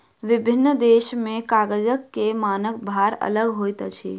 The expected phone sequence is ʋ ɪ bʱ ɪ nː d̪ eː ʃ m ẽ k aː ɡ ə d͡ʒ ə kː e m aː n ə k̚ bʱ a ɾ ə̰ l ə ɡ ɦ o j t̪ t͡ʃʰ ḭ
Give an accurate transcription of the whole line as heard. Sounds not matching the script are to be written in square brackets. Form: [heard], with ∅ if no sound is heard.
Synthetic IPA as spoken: ʋ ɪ bʱ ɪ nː d̪ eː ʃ m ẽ k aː ɡ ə d͡ʒ ə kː e m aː n ə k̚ bʱ a ɾ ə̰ l ə ɡ ɦ o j t̪ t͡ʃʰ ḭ